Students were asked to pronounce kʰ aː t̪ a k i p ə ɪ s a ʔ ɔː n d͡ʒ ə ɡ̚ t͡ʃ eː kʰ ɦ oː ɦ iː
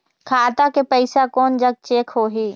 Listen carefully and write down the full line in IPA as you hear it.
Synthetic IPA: kʰ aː t̪ a k e p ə ɪ s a k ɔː n d͡ʒ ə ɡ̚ t͡ʃ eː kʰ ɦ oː ɦ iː